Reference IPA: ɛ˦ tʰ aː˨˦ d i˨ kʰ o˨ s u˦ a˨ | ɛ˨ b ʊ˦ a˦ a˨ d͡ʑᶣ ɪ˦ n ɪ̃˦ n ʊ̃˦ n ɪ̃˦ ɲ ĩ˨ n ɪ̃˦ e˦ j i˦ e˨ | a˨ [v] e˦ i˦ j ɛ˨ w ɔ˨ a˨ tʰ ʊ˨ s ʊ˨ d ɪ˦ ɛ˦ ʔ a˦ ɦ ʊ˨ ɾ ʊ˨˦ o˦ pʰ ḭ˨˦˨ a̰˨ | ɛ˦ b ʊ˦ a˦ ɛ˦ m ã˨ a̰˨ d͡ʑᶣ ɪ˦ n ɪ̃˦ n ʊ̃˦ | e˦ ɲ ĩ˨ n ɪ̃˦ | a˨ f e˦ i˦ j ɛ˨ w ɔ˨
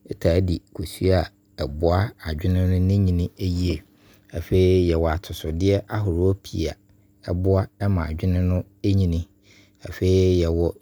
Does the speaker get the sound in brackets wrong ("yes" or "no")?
yes